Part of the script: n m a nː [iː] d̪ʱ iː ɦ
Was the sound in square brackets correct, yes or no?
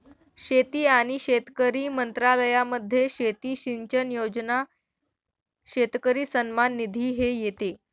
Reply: no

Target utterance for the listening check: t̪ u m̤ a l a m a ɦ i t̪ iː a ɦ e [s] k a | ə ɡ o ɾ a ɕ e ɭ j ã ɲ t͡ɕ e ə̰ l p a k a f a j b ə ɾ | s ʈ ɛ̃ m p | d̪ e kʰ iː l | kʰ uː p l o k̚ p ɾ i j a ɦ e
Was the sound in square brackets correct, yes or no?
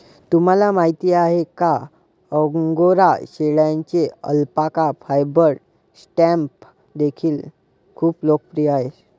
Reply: no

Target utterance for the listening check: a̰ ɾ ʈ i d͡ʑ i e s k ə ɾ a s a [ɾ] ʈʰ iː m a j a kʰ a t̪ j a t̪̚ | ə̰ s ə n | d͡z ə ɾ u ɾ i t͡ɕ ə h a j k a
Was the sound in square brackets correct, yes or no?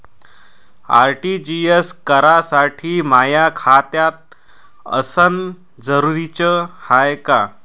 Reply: no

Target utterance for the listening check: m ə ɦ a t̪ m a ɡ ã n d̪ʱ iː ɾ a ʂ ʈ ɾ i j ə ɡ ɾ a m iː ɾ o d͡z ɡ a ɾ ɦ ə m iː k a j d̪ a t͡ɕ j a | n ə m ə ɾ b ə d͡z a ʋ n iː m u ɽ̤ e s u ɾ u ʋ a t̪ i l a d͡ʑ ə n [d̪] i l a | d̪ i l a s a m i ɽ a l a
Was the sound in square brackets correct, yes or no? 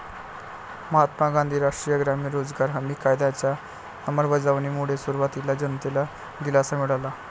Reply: no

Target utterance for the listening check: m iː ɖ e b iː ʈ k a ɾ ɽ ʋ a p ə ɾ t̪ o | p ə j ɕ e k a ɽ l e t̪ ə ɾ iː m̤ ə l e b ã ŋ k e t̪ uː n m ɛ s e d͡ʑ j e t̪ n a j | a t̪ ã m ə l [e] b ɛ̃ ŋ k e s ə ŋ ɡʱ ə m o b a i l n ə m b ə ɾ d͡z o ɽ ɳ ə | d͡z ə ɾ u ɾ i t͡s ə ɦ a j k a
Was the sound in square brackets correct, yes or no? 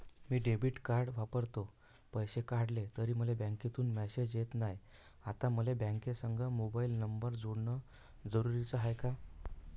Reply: yes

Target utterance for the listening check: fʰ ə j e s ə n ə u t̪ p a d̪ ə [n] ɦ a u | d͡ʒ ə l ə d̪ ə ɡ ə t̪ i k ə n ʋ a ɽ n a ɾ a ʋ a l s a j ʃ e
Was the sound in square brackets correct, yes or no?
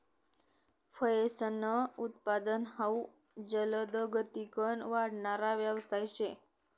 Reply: yes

